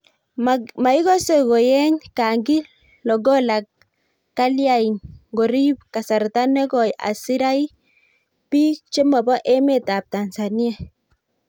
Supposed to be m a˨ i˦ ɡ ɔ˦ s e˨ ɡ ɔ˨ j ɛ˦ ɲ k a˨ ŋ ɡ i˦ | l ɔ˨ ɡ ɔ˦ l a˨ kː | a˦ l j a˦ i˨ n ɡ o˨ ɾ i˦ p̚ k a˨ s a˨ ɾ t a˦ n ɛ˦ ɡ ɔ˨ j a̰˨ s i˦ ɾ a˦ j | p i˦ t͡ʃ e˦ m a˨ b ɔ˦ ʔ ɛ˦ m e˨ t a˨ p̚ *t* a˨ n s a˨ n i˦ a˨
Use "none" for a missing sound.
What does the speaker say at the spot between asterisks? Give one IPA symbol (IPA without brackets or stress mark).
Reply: t